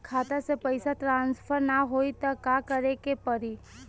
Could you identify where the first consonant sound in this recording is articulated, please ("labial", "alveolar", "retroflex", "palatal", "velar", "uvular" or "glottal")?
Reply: velar